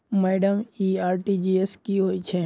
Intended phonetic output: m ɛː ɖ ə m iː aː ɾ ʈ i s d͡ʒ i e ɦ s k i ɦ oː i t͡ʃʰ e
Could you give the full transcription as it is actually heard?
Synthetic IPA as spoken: m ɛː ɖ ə m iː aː ɾ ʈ i d͡ʒ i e s k i ɦ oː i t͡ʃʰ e